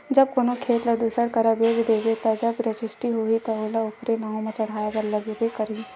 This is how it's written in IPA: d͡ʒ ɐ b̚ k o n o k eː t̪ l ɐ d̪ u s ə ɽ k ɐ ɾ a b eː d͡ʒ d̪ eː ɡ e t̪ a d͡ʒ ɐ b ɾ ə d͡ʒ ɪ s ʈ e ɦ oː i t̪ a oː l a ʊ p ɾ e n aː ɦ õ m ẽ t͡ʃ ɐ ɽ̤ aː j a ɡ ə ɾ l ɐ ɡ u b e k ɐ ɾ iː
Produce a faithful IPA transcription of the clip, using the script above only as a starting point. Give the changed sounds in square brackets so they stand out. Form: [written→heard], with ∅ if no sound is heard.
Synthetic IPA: d͡ʒ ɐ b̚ k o n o [k→kʰ] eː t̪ l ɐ d̪ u s ə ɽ k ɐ ɾ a b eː d͡ʒ d̪ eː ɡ e t̪ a d͡ʒ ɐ b ɾ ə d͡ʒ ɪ s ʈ [e→i] ɦ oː i t̪ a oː l a ʊ p ɾ e n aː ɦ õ m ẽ t͡ʃ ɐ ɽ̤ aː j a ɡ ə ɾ l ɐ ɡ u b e k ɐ ɾ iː